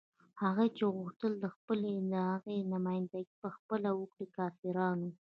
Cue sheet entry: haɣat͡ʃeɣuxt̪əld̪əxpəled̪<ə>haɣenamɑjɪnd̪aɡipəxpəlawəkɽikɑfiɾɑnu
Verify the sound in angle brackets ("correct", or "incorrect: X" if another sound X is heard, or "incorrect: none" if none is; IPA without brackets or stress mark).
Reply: correct